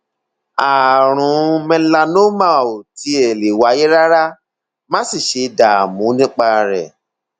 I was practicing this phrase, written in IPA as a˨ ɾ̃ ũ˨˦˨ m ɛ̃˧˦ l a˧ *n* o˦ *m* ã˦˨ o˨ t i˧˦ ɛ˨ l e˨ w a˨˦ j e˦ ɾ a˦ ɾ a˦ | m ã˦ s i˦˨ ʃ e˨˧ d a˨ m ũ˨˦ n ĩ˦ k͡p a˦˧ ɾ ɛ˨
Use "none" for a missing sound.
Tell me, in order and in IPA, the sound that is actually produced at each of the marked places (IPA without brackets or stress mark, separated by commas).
n, m